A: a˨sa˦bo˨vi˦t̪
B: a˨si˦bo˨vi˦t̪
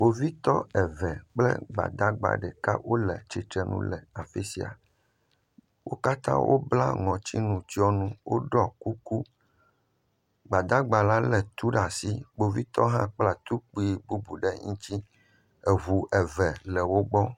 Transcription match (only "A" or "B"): B